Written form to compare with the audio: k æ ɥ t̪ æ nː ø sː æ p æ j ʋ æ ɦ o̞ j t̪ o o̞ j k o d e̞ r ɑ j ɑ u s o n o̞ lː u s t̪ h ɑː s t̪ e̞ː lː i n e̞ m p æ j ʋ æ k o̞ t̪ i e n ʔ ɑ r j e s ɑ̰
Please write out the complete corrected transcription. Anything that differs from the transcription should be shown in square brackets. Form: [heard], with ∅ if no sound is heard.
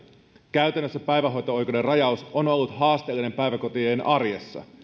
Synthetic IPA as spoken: k æ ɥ t̪ æ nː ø sː æ p æ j ʋ æ ɦ o̞ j t̪ o o̞ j k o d e̞ r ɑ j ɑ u s o n o̞ lː u [∅] t̪ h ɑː s t̪ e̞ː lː i n e̞ m p æ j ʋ æ k o̞ t̪ i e n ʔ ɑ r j e [sː] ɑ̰